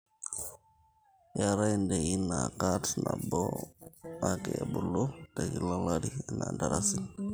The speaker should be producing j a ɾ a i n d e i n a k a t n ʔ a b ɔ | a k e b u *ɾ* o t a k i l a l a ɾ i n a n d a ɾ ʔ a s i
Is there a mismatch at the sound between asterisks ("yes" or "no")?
yes